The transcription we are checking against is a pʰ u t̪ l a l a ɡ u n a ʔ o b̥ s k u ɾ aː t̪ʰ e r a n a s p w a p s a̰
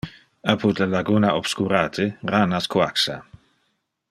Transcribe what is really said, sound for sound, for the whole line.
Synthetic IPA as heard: a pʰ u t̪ l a l a ɡ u n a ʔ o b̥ s k u ɾ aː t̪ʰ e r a n a s k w a k s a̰